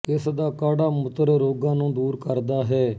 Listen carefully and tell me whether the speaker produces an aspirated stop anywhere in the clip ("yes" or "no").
no